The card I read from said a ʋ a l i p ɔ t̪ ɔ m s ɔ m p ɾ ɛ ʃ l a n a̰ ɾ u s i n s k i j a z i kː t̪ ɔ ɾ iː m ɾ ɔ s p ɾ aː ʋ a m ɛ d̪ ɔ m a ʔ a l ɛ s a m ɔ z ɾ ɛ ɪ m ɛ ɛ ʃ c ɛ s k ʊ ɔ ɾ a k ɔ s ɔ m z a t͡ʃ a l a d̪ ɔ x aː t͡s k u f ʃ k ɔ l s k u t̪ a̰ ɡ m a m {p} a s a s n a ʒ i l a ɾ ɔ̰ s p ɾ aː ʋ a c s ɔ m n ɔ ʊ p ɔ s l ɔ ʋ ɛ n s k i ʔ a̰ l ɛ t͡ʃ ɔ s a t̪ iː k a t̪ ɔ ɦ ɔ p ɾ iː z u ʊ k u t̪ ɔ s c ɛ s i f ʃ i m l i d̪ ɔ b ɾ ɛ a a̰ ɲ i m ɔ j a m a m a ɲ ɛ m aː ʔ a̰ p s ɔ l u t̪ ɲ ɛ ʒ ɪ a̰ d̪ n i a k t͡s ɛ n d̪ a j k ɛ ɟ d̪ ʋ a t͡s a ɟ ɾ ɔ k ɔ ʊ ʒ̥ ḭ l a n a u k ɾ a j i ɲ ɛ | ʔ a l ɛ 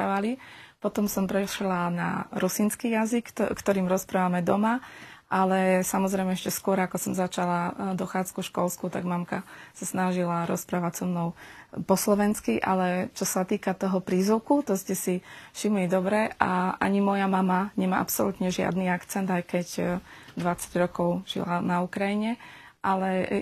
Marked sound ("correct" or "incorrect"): incorrect